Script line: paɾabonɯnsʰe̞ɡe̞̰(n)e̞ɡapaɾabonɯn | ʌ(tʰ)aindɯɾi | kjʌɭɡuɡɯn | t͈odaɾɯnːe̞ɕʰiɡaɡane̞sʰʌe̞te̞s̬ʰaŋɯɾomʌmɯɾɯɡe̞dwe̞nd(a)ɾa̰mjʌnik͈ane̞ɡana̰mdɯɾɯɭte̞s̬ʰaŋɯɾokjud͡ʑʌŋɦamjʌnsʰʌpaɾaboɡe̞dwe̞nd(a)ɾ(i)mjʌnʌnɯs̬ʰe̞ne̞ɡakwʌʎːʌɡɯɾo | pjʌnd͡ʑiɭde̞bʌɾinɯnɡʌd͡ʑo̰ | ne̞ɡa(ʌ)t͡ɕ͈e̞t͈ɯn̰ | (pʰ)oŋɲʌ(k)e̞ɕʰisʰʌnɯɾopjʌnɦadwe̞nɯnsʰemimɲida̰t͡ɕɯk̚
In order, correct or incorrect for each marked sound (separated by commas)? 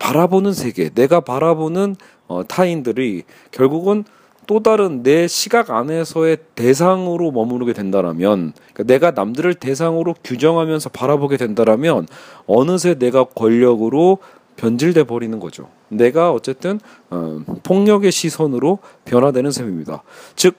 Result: correct, correct, correct, correct, incorrect, correct, correct, incorrect